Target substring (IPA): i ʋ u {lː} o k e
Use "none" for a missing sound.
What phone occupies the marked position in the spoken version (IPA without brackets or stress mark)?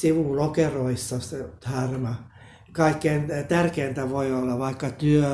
l